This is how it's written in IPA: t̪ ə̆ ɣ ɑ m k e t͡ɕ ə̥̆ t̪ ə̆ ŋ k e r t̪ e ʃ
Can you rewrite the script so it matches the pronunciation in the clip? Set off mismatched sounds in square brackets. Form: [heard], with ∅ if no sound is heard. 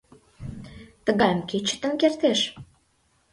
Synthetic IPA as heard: t̪ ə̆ ɣ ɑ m k e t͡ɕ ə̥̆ t̪ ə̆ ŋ k e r t̪ e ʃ